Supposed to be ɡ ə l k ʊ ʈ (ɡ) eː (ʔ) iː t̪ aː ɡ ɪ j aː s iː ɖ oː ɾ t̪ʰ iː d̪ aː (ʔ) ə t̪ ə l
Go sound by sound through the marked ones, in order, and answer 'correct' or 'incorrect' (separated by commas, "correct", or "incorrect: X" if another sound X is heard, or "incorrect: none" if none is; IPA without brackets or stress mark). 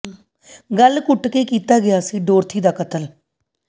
incorrect: k, incorrect: k, incorrect: k